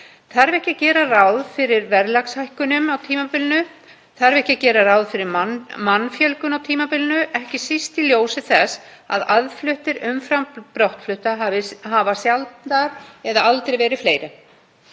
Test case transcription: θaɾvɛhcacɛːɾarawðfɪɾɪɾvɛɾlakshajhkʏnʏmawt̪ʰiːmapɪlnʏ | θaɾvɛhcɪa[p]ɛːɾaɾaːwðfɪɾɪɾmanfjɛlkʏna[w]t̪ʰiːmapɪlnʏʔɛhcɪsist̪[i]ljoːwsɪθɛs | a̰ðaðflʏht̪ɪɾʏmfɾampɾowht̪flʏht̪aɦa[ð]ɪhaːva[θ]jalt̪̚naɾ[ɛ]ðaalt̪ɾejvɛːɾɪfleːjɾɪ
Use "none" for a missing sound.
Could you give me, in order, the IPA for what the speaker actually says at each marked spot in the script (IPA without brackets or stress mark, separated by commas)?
c, w, i, v, s, ɛ